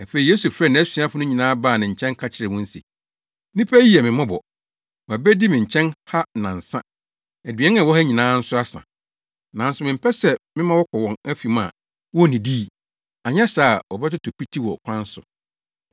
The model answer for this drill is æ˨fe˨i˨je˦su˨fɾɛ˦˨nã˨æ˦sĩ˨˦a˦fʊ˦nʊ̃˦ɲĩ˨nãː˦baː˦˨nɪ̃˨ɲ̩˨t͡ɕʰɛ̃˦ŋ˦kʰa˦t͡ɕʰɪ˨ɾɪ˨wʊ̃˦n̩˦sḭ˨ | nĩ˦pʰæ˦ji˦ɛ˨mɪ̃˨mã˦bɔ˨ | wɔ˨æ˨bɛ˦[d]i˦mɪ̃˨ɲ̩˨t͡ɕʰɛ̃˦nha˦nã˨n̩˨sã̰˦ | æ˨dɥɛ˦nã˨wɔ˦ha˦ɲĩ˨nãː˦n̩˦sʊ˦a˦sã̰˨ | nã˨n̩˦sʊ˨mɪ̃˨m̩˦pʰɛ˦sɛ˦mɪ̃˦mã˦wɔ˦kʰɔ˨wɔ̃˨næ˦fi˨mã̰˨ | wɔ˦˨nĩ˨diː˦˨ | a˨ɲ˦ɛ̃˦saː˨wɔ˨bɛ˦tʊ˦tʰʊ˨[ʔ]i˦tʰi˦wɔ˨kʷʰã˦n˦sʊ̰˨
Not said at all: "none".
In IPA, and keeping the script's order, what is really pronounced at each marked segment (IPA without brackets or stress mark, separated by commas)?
d, p